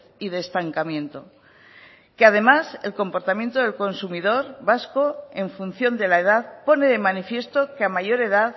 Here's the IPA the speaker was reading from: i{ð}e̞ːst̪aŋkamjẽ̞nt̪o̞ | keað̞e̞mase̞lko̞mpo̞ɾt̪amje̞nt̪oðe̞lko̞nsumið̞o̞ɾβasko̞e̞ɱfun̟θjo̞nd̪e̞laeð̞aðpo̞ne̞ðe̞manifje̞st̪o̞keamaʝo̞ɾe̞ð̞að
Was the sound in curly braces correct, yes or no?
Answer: yes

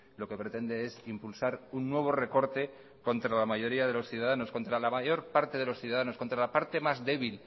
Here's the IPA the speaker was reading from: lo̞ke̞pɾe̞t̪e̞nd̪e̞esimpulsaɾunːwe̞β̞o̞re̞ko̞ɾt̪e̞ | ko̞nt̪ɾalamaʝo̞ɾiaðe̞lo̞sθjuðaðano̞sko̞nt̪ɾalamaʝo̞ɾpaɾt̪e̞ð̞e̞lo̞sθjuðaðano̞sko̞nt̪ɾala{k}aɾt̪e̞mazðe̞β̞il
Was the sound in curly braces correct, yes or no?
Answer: no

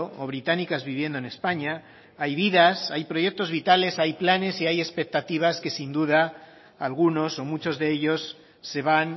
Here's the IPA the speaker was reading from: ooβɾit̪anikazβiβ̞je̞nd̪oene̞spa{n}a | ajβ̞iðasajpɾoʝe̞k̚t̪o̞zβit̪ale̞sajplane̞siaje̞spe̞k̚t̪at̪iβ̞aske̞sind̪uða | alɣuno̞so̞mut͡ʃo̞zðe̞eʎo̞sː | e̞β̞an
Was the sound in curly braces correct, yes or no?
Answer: no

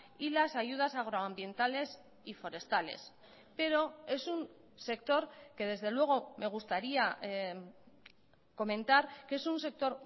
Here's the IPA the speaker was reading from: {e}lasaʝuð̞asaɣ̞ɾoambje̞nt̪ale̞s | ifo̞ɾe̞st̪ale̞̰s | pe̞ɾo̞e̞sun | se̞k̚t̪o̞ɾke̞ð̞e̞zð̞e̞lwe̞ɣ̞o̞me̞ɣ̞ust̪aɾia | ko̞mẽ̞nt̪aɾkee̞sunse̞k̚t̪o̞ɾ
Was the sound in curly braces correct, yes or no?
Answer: no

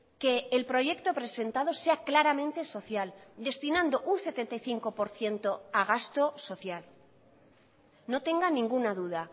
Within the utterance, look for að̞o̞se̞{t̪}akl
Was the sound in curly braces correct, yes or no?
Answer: no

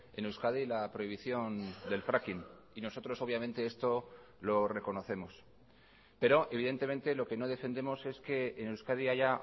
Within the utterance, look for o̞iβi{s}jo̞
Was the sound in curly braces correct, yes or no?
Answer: no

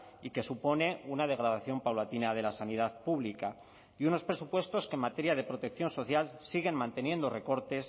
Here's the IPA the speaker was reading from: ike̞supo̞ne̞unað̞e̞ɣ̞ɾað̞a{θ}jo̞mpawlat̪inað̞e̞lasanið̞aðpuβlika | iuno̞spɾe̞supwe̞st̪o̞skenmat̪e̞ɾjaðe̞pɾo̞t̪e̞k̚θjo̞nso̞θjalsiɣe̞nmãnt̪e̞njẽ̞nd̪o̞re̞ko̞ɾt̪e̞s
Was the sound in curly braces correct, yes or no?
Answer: yes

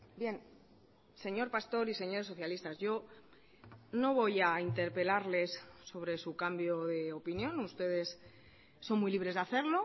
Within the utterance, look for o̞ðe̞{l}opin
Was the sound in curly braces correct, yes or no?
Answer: no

